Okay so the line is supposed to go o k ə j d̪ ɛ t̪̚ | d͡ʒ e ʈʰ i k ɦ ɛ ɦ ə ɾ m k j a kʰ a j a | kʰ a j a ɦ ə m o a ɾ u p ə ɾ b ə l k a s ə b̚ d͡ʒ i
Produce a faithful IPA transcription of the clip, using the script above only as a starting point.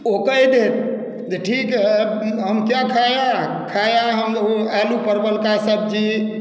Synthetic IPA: o k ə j d̪ e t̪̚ | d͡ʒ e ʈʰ i k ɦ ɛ ɦ ə m k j a kʰ a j a | kʰ a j a ɦ ə m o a l u p ə ɾ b ə l k a s ə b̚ d͡ʒ i